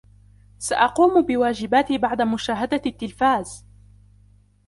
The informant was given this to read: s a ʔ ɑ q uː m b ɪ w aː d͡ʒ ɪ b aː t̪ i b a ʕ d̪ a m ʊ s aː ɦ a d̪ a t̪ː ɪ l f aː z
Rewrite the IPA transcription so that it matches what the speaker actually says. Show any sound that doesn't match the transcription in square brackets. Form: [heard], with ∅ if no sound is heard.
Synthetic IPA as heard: s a ʔ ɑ q uː m b ɪ w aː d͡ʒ ɪ b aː t̪ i b a ʕ d̪ a m ʊ [ʃ] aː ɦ a d̪ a t̪ː ɪ l f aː z